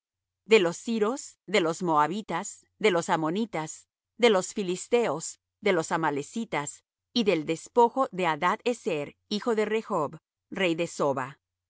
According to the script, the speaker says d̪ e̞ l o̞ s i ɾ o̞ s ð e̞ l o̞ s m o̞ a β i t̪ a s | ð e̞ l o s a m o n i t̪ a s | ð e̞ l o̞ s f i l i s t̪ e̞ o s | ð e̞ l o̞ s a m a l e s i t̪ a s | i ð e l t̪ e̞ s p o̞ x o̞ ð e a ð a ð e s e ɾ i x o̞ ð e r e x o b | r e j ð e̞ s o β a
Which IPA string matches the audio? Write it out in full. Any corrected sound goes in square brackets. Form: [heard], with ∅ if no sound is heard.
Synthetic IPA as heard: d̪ e̞ l o̞ s i ɾ o̞ s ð e̞ l o̞ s m o̞ a β i t̪ a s | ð e̞ l o s a m o n i t̪ a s | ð e̞ l o̞ s f i l i s t̪ e̞ o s | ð e̞ l o̞ s a m a l e s i t̪ a s | i ð e l [d̪] e̞ s p o̞ x o̞ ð e a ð a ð e s e ɾ i x o̞ ð e r e x o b | r e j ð e̞ s o β a